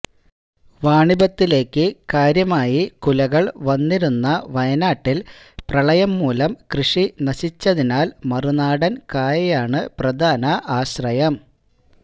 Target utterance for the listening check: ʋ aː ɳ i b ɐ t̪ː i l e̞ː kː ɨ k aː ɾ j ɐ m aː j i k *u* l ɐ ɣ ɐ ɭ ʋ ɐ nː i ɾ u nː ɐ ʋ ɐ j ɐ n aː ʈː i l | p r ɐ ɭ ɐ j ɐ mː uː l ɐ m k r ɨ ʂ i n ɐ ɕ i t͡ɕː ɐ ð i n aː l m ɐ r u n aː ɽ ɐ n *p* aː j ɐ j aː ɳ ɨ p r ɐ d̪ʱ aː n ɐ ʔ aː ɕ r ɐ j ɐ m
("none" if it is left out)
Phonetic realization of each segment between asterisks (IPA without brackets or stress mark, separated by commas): u, k